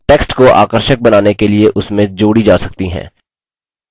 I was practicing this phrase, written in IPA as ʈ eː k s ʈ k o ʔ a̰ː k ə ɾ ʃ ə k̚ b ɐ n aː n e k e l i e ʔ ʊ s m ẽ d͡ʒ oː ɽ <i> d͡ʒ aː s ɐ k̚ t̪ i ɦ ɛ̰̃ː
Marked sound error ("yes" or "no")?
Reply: no